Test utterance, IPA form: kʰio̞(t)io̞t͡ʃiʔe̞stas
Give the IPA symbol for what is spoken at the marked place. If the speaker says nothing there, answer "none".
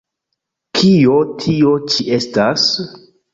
tʰ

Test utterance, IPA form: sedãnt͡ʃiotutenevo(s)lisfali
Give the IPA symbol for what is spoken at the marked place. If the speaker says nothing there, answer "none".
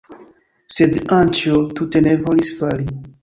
none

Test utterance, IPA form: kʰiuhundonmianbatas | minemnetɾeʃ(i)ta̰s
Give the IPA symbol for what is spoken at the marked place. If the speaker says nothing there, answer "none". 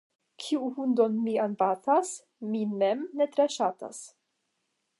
a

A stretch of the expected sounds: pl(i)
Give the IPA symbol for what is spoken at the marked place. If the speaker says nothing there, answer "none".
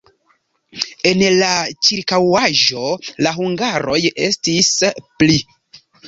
i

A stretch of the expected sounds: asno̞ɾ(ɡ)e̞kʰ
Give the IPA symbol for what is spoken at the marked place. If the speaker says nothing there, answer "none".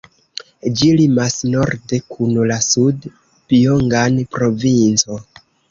d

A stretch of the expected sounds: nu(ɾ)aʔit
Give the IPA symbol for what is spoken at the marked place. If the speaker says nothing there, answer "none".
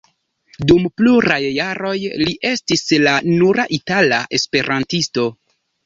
ɾ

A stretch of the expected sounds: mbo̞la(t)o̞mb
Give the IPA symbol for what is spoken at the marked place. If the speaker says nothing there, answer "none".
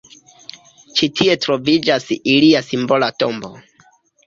t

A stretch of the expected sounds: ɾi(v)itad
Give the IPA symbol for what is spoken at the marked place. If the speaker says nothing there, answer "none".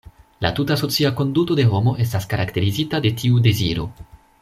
z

